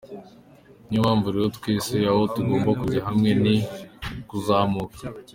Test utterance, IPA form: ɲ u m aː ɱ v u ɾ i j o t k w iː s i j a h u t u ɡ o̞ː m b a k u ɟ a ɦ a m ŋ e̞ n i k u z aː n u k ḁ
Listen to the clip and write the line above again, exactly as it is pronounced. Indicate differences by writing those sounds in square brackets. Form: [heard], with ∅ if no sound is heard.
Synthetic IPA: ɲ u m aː ɱ v u ɾ i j o t k w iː s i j a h [o] t u ɡ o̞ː m b a k u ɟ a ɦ a m ŋ e̞ n i k u z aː [m] u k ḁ